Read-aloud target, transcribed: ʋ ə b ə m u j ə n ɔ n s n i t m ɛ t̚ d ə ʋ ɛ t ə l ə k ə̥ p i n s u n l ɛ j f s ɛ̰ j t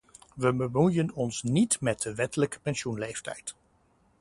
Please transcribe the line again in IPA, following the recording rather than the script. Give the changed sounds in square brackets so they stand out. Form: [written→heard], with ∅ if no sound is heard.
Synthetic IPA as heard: ʋ ə b ə m u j ə n ɔ n s n i t m ɛ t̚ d ə ʋ ɛ t ə l ə k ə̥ p [i→ɛ] n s u n l [ɛ→e] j f [s→t] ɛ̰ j t